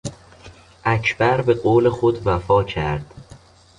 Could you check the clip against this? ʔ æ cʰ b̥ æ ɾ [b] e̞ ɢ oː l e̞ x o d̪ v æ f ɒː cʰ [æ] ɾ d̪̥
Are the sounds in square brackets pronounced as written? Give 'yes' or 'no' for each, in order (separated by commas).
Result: yes, yes